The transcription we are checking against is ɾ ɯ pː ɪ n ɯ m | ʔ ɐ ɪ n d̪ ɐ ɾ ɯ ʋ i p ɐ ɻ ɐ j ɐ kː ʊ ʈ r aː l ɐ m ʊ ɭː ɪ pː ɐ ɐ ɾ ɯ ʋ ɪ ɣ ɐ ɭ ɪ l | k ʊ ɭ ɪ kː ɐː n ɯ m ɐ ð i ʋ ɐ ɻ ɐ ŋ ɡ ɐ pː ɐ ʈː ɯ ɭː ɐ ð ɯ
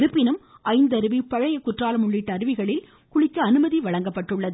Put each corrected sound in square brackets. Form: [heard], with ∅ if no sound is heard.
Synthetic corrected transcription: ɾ ɯ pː ɪ n ɯ m | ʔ ɐ ɪ n d̪ ɐ ɾ ɯ ʋ i p ɐ ɻ ɐ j ɐ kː ʊ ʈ r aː l ɐ m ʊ ɭː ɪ [ʈː] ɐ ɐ ɾ ɯ ʋ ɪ ɣ ɐ ɭ ɪ l | k ʊ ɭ ɪ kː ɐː n ɯ m ɐ ð i ʋ ɐ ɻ ɐ ŋ ɡ ɐ pː ɐ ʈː ɯ ɭː ɐ ð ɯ

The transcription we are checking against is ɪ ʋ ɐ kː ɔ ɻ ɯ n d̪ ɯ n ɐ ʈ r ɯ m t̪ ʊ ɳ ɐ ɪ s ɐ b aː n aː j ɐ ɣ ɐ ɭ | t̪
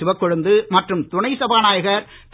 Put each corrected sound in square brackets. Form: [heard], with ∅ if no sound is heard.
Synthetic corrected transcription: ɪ ʋ ɐ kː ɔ ɻ ɯ n d̪ ɯ [m] ɐ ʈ r ɯ m t̪ ʊ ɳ ɐ ɪ s ɐ b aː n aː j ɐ ɣ ɐ [ɾ] | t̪

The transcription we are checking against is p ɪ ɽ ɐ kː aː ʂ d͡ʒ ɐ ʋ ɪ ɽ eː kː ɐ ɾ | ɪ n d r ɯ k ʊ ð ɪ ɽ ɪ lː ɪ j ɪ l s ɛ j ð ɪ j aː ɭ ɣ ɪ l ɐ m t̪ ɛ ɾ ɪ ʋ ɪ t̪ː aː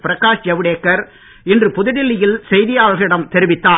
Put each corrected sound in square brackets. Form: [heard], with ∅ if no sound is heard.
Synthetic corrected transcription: p ɪ [ɾ] ɐ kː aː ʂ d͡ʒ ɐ ʋ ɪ ɽ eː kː ɐ ɾ | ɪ n d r ɯ [p] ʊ ð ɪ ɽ ɪ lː ɪ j ɪ l s ɛ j ð ɪ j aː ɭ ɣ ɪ [ɽ] ɐ m t̪ ɛ ɾ ɪ ʋ ɪ t̪ː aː

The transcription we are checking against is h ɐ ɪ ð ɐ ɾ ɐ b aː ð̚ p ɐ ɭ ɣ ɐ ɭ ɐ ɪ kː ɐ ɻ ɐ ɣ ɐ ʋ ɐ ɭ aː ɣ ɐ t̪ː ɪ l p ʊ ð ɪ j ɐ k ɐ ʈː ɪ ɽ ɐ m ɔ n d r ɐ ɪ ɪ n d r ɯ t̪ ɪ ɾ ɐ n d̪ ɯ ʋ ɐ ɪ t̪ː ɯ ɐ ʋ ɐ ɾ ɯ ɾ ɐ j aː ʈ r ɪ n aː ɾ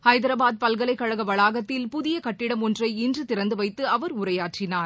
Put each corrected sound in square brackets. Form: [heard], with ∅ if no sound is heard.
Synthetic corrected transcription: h ɐ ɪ ð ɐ ɾ ɐ b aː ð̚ p ɐ [l] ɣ ɐ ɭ ɐ ɪ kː ɐ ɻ ɐ ɣ ɐ ʋ ɐ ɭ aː ɣ ɐ t̪ː ɪ l p ʊ ð ɪ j ɐ k ɐ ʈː ɪ ɽ ɐ m ɔ n d r ɐ ɪ ɪ n d r ɯ t̪ ɪ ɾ ɐ n d̪ ɯ ʋ ɐ ɪ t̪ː ɯ ɐ ʋ ɐ ɾ [ʊ] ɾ ɐ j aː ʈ r ɪ n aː ɾ

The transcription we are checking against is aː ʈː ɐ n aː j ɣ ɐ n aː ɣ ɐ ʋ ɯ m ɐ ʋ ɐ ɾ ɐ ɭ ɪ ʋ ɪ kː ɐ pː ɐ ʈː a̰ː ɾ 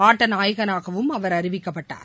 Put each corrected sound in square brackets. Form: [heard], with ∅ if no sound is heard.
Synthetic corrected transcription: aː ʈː ɐ n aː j ɣ ɐ n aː ɣ ɐ ʋ ɯ m ɐ ʋ ɐ ɾ ɐ [ɾ] ɪ ʋ ɪ kː ɐ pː ɐ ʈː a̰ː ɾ

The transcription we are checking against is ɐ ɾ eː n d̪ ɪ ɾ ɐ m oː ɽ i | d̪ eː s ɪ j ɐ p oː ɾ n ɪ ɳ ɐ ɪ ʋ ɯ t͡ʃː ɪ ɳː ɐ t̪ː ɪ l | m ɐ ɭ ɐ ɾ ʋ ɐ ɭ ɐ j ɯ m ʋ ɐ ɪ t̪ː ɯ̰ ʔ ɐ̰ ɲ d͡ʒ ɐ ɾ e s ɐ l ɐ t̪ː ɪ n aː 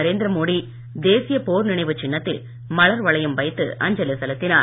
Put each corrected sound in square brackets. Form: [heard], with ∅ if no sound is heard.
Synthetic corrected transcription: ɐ ɾ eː n d̪ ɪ ɾ ɐ m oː ɽ i | d̪ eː s ɪ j ɐ p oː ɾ n ɪ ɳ ɐ ɪ ʋ ɯ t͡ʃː ɪ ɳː ɐ t̪ː ɪ l | m ɐ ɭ ɐ ɾ ʋ ɐ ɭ ɐ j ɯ m ʋ ɐ ɪ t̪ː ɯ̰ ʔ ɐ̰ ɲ d͡ʒ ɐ [l] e s ɐ l ɐ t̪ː ɪ n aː

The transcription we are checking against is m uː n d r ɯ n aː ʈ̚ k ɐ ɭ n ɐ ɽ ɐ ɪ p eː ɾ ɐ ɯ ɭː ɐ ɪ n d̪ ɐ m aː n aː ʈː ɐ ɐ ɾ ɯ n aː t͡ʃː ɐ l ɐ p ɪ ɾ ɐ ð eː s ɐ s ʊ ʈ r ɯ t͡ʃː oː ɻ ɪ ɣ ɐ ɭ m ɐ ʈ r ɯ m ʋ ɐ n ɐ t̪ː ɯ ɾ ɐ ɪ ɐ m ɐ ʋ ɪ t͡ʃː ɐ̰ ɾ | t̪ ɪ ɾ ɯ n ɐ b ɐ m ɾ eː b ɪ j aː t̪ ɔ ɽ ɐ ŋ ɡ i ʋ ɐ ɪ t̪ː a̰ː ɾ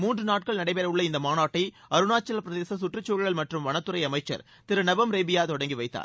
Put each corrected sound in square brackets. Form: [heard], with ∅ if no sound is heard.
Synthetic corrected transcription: m uː n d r ɯ n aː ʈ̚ k ɐ ɭ n ɐ ɽ ɐ ɪ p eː ɾ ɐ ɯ ɭː ɐ ɪ n d̪ ɐ m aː n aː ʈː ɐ ɐ ɾ ɯ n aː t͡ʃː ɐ l ɐ p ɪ ɾ ɐ ð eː s ɐ s ʊ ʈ r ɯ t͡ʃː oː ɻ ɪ ɣ ɐ ɭ m ɐ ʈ r ɯ m ʋ ɐ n ɐ t̪ː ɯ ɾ ɐ ɪ ɐ m ɐ [∅] ɪ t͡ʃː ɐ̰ ɾ | t̪ ɪ ɾ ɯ n ɐ b ɐ m ɾ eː b ɪ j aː t̪ ɔ ɽ ɐ ŋ ɡ i ʋ ɐ ɪ t̪ː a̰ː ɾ

